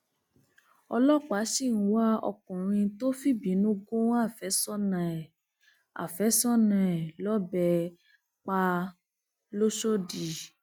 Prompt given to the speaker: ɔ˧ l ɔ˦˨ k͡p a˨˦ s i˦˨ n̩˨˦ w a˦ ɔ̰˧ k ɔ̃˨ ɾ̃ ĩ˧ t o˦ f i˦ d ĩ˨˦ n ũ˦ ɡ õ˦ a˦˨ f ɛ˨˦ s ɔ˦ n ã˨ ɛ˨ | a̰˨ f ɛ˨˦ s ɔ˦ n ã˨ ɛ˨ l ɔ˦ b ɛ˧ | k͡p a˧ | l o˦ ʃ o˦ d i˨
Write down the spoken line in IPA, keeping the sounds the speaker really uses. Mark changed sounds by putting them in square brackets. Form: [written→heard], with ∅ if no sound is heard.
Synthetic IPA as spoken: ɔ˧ l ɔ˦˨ k͡p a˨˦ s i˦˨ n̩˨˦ w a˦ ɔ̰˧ k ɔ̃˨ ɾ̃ ĩ˧ t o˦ f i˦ [d→b] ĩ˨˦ n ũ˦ ɡ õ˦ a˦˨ f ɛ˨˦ s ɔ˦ n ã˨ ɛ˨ | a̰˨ f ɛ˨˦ s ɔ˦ n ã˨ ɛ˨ l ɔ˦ b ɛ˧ | k͡p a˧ | l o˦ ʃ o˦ d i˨

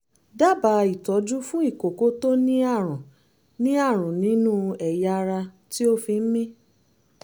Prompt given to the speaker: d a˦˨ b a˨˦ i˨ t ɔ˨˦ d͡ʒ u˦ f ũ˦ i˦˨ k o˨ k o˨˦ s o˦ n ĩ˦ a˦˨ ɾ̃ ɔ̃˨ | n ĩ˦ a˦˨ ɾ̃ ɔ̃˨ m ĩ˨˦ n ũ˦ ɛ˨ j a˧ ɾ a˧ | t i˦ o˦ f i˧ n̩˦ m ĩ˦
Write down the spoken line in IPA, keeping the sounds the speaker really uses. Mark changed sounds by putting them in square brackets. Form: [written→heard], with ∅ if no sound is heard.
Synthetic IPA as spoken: d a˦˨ b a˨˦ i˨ t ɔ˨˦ d͡ʒ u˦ f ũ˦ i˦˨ k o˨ k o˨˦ [s→t] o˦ n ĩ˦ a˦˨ ɾ̃ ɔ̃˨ | n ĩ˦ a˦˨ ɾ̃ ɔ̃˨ [m→n] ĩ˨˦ n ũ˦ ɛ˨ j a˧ ɾ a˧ | t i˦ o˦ f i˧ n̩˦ m ĩ˦

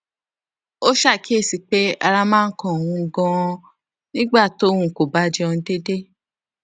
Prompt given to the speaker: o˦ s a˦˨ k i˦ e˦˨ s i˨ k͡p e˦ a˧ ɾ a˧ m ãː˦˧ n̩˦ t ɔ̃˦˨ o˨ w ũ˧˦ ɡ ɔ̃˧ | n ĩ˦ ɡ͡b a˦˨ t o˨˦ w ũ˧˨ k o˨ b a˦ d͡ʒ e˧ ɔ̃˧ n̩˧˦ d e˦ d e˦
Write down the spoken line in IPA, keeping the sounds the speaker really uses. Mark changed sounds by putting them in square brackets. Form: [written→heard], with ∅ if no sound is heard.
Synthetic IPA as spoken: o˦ [s→ʃ] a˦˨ k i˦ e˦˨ s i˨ k͡p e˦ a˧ ɾ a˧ m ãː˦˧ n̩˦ [t→k] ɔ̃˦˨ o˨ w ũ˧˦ ɡ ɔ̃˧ | n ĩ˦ ɡ͡b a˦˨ t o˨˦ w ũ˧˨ k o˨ b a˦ d͡ʒ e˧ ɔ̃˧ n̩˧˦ d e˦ d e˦

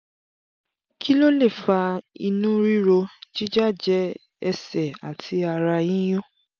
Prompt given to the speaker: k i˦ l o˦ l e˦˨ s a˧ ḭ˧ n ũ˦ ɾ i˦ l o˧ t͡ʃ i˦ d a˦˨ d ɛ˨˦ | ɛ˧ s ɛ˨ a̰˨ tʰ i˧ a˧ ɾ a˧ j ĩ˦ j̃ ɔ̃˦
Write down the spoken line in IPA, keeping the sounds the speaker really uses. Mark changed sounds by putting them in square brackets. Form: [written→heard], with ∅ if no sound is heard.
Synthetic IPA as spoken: k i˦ l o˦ l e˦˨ [s→f] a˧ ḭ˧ n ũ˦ ɾ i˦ [l→ɾ] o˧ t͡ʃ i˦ [d→d͡ʒ] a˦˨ [d→d͡ʒ] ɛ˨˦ | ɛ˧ s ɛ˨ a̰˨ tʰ i˧ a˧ ɾ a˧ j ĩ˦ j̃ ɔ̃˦

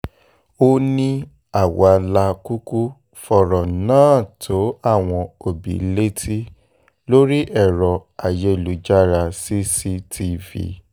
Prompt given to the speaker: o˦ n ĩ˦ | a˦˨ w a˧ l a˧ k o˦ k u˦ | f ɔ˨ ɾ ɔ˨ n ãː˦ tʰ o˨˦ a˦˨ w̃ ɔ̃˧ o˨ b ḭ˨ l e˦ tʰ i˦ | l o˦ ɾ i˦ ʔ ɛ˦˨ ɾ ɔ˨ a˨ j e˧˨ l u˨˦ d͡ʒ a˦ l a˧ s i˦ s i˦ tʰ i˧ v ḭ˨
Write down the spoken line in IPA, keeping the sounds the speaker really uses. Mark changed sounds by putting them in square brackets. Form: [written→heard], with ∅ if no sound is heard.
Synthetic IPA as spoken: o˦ n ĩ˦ | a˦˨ w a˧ l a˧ k [o˦→u˦] k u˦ | f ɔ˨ ɾ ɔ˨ n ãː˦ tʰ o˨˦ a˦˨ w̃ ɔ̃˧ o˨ b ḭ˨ l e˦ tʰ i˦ | l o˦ ɾ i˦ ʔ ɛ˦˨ ɾ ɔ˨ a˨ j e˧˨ l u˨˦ d͡ʒ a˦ [l→ɾ] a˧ s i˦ s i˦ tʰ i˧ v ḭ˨

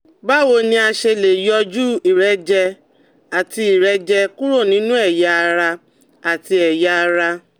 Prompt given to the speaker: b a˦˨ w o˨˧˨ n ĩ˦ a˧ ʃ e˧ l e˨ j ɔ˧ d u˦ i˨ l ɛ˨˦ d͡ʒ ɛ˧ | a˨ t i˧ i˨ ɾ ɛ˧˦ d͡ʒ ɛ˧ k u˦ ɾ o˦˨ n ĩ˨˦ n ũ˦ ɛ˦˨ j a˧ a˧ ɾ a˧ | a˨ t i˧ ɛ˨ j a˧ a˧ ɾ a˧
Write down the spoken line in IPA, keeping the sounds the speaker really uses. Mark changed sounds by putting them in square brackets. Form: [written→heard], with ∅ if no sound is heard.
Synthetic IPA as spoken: b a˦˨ w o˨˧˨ n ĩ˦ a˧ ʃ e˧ l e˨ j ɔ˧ [d→d͡ʒ] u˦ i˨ [l→ɾ] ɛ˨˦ d͡ʒ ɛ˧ | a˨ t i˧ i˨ ɾ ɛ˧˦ d͡ʒ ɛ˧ k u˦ ɾ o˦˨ n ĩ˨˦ n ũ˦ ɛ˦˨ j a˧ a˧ ɾ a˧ | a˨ t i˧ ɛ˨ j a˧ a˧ ɾ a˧

